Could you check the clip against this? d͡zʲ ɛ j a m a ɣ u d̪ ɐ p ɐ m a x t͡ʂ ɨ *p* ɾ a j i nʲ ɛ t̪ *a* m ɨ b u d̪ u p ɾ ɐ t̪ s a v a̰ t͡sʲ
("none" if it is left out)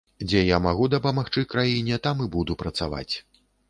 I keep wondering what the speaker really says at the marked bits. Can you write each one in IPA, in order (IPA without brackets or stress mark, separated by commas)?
k, a